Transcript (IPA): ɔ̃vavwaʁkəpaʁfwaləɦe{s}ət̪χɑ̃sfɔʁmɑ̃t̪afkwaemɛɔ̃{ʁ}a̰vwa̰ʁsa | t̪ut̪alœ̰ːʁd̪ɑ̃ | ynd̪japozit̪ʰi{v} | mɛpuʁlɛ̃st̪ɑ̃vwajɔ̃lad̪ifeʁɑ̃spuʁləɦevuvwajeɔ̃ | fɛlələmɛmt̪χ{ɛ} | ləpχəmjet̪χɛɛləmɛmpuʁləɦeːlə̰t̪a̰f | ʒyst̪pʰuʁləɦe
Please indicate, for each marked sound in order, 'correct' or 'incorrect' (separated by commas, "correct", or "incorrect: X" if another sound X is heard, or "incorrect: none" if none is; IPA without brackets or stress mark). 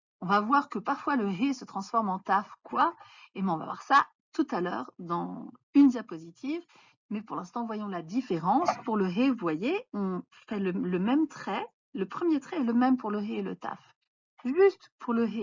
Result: correct, incorrect: v, correct, correct